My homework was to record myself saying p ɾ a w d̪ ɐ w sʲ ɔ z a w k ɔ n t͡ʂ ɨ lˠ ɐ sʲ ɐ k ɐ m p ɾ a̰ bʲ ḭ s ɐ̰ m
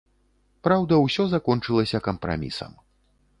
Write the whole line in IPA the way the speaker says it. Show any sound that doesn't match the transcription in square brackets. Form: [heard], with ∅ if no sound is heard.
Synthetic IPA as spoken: p ɾ a w d̪ ɐ w sʲ ɔ z a [∅] k ɔ n t͡ʂ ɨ lˠ ɐ sʲ ɐ k ɐ m p ɾ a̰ [mʲ] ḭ s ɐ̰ m